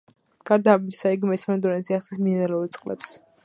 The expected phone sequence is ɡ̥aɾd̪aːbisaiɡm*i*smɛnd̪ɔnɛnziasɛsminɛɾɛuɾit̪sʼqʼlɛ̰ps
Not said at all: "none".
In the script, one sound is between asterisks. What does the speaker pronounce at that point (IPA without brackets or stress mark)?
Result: ɛ